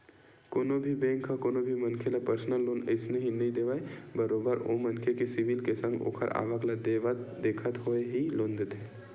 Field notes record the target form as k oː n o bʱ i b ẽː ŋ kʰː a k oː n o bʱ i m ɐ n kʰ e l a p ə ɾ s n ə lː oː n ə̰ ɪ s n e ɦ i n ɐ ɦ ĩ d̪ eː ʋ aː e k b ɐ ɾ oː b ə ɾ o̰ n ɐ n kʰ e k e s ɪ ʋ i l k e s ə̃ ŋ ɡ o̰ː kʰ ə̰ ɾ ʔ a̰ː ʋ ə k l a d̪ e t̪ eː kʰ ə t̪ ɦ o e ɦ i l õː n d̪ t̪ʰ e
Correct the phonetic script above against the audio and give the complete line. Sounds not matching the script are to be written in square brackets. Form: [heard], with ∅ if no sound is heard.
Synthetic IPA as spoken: k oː n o bʱ i b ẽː ŋ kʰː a k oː n o bʱ i m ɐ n kʰ e l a p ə ɾ s n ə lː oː n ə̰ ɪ s n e ɦ i n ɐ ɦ ĩ d̪ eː ʋ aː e [∅] b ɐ ɾ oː b ə ɾ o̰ [m] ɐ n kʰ e k e s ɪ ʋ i l k e s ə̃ ŋ ɡ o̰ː kʰ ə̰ ɾ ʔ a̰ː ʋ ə k l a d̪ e [d̪] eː kʰ ə t̪ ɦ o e ɦ i l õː n d̪ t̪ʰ e